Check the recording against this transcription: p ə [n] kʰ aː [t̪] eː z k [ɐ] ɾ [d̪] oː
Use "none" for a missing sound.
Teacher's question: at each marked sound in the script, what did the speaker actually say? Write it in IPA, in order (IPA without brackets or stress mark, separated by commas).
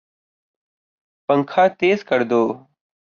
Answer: ŋ, t̪, ə, d̪